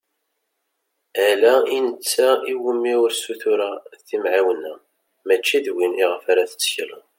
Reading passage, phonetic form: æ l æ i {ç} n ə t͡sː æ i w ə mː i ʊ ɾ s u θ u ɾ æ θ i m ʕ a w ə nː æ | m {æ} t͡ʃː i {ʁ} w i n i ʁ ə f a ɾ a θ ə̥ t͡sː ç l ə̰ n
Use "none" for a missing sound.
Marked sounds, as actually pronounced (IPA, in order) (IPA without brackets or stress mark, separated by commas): none, æ, ð